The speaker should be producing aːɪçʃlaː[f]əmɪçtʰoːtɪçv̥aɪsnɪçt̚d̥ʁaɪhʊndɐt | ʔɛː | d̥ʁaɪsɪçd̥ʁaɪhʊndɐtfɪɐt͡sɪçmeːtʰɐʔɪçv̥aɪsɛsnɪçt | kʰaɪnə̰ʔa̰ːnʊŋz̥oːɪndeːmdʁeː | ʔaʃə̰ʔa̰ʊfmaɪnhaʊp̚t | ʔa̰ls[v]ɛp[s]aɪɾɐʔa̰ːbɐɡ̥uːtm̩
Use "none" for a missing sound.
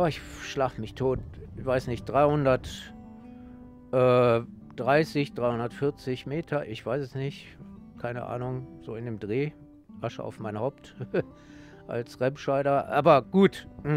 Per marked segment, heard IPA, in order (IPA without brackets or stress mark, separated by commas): f, ʁ, ʃ